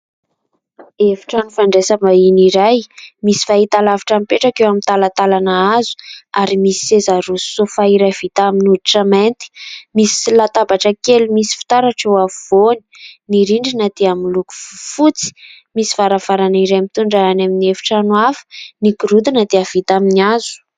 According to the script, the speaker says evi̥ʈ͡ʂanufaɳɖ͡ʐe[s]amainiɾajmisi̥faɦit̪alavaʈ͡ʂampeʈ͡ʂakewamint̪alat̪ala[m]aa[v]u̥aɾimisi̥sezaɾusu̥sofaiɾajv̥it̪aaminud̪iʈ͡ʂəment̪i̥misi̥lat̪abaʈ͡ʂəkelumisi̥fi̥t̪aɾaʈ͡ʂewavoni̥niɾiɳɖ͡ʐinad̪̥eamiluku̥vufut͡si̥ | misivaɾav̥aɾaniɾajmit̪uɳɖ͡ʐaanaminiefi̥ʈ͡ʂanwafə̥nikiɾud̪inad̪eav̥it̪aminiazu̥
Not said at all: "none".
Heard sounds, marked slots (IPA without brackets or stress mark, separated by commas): s, n, z